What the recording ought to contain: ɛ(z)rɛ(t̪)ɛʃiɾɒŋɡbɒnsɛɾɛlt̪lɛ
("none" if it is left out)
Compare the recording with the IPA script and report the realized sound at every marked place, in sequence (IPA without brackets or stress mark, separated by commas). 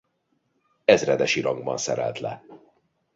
z, d̪